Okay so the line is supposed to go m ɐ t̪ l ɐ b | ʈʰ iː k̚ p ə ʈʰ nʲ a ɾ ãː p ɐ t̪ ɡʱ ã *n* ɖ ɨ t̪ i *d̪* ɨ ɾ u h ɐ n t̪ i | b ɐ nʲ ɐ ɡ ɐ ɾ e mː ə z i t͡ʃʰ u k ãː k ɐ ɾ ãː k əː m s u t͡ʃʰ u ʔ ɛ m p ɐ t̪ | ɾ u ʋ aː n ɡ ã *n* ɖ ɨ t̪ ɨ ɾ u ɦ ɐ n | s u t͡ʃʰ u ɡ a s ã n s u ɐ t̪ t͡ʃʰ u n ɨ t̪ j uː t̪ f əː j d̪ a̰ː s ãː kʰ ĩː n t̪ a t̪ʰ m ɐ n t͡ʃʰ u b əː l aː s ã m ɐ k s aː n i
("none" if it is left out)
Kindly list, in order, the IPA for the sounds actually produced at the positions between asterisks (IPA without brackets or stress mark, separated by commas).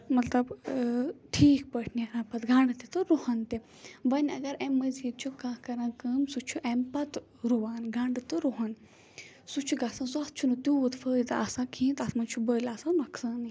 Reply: ɳ, t̪, ɳ